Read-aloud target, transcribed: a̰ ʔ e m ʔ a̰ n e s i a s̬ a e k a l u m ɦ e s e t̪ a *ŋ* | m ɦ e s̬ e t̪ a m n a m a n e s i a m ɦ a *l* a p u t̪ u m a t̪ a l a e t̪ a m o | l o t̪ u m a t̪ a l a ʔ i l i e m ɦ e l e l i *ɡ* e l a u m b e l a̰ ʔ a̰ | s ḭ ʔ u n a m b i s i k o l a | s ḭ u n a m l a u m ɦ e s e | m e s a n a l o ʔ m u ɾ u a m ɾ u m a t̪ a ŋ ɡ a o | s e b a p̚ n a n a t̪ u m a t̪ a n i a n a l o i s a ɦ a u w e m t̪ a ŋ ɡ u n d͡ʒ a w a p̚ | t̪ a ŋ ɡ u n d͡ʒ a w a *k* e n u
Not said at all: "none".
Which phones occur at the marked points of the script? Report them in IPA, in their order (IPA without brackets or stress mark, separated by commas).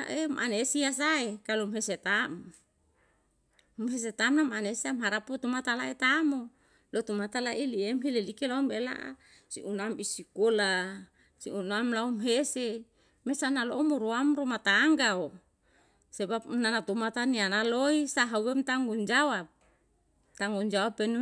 m, ɾ, k, p